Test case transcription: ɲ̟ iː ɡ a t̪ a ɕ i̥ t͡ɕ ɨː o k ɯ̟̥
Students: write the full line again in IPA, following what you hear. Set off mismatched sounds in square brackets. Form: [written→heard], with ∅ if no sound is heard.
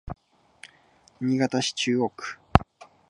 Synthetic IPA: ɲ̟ [iː→i] ɡ a t̪ a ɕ i̥ t͡ɕ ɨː o k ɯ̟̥